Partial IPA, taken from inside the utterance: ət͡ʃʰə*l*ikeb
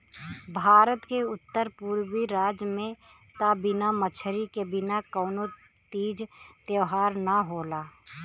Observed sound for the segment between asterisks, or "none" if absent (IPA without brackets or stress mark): ɾ